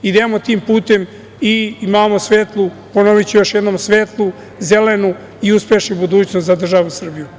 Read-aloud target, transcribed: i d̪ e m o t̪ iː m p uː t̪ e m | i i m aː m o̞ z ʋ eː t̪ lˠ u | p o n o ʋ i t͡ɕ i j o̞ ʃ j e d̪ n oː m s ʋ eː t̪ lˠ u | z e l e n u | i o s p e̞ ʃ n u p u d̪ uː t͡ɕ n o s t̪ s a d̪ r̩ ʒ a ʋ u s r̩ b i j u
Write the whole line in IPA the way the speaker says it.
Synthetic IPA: i d̪ e m o t̪ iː m p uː t̪ e m | i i m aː m o̞ s ʋ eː t̪ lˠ u | p o n o ʋ i t͡ɕ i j o̞ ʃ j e d̪ n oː m s ʋ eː t̪ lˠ u | z e l e n u | i u s p e̞ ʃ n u b u d̪ uː t͡ɕ n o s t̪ z a d̪ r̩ ʒ a ʋ u s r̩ b i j u